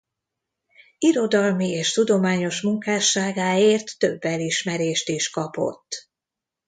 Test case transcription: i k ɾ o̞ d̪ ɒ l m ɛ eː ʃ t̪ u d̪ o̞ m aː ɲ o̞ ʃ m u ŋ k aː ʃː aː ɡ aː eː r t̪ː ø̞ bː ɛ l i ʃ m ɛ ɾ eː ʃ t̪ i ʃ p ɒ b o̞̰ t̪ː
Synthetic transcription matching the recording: i ɾ o̞ d̪ ɒ l m i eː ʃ t̪ u d̪ o̞ m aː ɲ o̞ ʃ m u ŋ k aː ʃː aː ɡ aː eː r t̪ː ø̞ bː ɛ l i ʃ m ɛ ɾ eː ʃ t̪ i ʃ k ɒ p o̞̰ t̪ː